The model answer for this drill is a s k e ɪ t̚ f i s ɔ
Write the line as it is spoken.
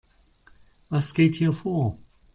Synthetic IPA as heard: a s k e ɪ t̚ h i f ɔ

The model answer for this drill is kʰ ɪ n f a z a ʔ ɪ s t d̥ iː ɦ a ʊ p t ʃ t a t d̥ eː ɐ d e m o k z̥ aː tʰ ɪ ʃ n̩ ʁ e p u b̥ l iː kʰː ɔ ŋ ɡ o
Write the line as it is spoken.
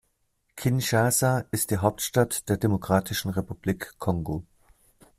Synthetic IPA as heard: kʰ ɪ n ʃ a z a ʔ ɪ s t d̥ iː ɦ a ʊ p t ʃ t a t d̥ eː ɐ d e m o k ʁ̥ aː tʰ ɪ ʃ n̩ ʁ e p u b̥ l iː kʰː ɔ ŋ ɡ o

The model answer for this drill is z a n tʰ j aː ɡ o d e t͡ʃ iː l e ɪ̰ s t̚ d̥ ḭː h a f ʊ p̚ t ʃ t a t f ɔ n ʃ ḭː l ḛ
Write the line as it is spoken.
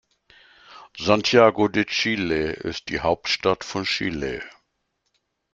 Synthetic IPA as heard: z a n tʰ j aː ɡ o d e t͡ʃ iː l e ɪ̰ s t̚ d̥ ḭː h a ʊ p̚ t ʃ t a t f ɔ n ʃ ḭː l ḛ

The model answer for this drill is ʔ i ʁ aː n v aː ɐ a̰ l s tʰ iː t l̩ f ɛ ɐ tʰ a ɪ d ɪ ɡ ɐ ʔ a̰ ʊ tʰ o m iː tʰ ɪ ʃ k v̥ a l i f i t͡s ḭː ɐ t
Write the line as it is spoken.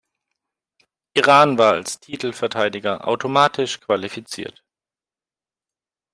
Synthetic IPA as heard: ʔ i ʁ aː n v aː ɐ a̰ l s tʰ iː t l̩ f ɛ ɐ tʰ a ɪ d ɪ ɡ ɐ ʔ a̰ ʊ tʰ o m aː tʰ ɪ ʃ k v̥ a l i f i t͡s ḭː ɐ t

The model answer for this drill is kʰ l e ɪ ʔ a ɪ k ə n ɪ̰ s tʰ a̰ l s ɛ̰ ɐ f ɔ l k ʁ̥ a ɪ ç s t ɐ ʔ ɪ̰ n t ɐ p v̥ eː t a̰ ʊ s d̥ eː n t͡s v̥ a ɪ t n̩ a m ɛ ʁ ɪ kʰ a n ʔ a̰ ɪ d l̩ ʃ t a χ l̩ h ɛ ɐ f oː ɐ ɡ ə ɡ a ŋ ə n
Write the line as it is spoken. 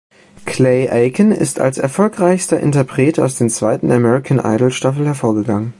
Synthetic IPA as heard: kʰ l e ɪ ʔ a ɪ k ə n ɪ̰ s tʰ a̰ l s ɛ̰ ɐ f ɔ l k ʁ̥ a ɪ ç s t ɐ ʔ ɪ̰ n t ɐ p ʁ̥ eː t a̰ ʊ s d̥ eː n t͡s v̥ a ɪ t n̩ a m ɛ ʁ ɪ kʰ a n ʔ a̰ ɪ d l̩ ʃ t a f l̩ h ɛ ɐ f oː ɐ ɡ ə ɡ a ŋ ə n

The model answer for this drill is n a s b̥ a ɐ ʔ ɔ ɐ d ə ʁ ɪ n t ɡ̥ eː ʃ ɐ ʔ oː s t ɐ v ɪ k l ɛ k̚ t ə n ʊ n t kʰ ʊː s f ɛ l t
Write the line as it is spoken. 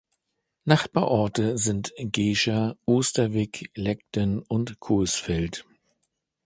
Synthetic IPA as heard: n a χ b̥ a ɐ ʔ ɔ ɐ t ə z ɪ n t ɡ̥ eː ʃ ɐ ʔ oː s t ɐ v ɪ k l ɛ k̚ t ə n ʊ n t kʰ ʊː s f ɛ l t

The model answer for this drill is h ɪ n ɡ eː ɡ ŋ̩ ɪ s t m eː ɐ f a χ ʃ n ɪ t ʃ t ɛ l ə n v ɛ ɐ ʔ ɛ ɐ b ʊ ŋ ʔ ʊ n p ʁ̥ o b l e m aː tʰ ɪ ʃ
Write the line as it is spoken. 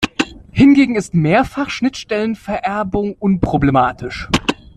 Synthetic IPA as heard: h ɪ n ɡ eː ɡ ŋ̩ ɪ s t m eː ɐ f a χ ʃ n ɪ t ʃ t ɛ l ə n f ɛ ɐ ʔ ɛ ɐ b ʊ ŋ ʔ ʊ n p ʁ̥ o b l e m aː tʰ ɪ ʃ

